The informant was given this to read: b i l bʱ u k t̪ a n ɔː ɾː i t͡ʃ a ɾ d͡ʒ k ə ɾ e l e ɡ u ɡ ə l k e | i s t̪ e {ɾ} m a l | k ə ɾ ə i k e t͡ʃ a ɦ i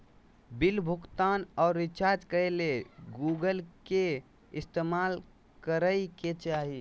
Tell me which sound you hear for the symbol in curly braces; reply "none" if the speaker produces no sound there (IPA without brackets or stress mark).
none